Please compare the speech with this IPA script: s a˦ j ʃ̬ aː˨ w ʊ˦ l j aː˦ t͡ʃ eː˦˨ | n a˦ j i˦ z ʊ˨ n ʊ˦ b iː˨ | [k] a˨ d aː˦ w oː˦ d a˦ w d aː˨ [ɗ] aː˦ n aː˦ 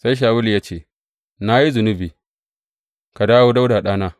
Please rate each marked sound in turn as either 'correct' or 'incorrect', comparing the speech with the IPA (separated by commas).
correct, correct